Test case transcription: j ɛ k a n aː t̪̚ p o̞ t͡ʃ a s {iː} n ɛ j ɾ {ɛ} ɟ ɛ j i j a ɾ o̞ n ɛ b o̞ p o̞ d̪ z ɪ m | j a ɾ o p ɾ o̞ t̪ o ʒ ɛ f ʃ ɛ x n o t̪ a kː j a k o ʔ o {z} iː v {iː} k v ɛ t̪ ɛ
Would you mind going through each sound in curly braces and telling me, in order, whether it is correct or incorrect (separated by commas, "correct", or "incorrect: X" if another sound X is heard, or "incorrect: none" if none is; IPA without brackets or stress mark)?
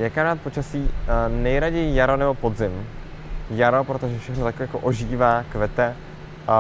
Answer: correct, incorrect: a, incorrect: ʒ, incorrect: aː